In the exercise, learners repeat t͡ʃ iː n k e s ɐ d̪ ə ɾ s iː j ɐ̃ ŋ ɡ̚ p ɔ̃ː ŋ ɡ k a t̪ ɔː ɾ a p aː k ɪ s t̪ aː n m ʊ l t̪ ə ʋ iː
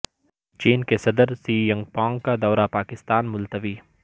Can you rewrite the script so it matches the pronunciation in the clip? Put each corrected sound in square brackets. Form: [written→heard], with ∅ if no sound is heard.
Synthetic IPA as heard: t͡ʃ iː n k e s ɐ d̪ ə ɾ s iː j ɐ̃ ŋ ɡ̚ p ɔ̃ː ŋ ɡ k a [t̪→d̪] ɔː ɾ a p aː k ɪ s t̪ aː n m ʊ l t̪ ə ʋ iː